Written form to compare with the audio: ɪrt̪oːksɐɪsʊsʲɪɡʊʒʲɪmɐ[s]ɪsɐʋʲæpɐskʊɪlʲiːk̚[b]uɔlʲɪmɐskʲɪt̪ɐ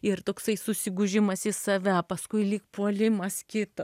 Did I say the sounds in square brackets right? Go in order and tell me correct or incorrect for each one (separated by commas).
correct, incorrect